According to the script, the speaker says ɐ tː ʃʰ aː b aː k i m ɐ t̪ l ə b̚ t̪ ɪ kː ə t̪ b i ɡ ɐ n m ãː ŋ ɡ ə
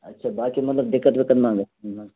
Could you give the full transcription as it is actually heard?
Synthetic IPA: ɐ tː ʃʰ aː b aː k i m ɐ t̪ l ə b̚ d̪ ɪ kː ə t̪ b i k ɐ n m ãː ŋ ɡ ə